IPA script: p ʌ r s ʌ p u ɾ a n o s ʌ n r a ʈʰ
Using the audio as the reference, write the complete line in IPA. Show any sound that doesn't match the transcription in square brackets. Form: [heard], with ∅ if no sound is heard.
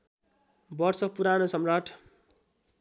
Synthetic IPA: [b] ʌ r s ʌ p u ɾ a n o s ʌ [m] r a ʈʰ